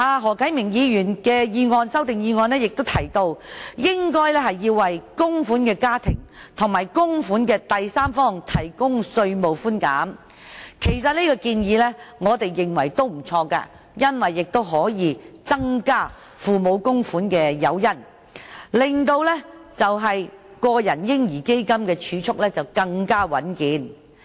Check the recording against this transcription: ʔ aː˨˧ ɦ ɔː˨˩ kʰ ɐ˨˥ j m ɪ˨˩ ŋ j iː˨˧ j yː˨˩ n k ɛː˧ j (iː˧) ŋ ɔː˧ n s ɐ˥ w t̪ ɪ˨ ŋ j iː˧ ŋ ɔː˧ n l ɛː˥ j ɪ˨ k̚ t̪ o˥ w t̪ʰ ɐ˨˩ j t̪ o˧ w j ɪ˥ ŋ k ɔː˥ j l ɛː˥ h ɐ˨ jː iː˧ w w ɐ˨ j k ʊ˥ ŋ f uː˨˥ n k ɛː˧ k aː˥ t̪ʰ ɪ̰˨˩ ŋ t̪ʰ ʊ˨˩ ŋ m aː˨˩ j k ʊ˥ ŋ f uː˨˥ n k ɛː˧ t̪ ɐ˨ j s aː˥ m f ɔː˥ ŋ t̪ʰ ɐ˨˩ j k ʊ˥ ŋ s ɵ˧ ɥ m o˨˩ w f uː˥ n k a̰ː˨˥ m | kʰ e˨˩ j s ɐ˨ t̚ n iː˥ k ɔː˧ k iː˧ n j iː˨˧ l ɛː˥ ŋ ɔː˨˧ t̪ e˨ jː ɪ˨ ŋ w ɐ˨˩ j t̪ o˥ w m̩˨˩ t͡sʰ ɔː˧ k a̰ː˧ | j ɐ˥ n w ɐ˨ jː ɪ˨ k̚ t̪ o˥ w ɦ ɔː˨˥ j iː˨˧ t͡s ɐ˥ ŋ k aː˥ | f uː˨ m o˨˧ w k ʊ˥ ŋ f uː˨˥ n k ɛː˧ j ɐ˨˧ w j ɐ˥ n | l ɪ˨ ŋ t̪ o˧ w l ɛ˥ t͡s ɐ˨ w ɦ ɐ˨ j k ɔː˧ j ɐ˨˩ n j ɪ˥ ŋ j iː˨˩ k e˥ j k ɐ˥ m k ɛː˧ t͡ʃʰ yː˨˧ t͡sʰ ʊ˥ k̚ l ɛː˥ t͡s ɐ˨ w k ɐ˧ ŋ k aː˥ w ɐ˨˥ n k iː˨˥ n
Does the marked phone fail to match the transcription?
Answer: no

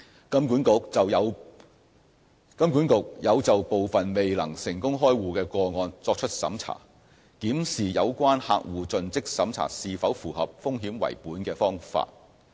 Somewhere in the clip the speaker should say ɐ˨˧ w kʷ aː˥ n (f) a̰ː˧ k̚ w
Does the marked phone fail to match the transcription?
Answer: yes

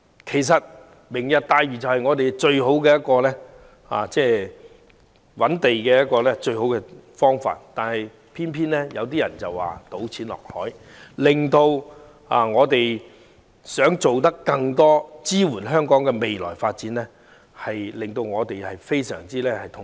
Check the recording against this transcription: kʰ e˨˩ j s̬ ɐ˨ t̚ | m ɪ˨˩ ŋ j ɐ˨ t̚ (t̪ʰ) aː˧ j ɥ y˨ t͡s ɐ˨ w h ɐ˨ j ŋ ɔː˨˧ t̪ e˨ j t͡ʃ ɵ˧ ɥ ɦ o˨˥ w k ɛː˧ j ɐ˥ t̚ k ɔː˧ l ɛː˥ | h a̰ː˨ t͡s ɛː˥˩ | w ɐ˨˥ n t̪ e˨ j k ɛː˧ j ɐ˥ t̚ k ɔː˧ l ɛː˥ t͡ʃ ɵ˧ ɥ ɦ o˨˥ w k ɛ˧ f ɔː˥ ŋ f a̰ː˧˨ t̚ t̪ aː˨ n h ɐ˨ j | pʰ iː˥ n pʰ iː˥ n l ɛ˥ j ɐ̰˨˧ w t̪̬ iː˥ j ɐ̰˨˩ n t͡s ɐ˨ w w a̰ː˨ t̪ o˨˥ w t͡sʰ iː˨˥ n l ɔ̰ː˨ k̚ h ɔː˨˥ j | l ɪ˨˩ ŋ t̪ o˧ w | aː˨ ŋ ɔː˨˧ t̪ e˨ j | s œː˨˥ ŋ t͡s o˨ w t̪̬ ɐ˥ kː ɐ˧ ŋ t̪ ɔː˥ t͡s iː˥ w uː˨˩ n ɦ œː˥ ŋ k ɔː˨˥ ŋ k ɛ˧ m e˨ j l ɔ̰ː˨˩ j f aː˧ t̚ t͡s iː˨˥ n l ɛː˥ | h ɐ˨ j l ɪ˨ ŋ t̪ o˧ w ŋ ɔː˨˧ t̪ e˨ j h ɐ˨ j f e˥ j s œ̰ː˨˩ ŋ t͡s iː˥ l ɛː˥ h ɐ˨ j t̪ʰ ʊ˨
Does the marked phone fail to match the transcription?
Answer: yes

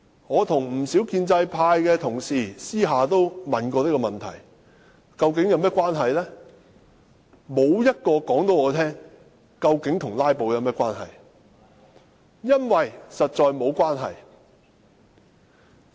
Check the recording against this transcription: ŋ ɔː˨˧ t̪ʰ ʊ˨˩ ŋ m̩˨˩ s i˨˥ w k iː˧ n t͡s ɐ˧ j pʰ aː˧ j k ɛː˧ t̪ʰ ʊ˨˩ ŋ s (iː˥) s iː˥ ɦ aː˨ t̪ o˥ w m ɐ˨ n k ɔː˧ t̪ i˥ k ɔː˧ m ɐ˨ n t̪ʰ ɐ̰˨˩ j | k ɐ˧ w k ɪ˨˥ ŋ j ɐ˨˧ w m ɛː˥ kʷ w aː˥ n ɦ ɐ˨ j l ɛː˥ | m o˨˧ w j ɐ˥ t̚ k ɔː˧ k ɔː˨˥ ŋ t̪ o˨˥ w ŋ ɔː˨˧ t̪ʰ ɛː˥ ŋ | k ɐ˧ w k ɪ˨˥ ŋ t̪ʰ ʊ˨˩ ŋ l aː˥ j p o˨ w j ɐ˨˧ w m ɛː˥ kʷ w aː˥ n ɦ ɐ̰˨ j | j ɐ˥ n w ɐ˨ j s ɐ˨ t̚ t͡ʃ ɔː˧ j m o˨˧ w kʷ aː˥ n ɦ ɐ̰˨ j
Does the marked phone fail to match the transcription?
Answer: yes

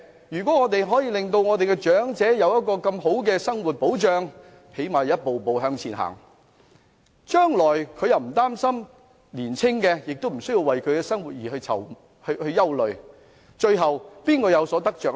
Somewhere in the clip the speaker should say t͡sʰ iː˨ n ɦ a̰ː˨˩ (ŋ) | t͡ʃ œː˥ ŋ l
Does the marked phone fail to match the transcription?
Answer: no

